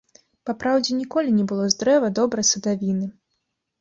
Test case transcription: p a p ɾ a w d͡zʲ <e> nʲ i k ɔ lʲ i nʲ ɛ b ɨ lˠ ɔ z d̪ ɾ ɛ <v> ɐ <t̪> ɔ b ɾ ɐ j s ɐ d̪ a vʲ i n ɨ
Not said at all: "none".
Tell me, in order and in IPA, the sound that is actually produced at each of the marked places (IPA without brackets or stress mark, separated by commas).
ɛ, v, d̪